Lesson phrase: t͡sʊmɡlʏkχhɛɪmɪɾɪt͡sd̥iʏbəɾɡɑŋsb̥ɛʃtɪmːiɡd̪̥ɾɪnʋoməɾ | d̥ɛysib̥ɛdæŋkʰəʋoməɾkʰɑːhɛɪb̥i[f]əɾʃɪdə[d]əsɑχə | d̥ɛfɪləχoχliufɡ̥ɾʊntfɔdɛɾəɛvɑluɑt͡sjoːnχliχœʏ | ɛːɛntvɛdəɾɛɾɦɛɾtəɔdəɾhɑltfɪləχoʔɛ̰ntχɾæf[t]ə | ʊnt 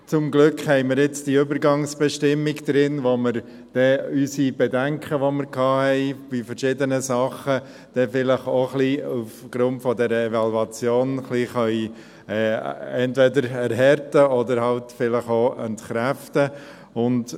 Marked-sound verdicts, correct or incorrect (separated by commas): correct, incorrect, correct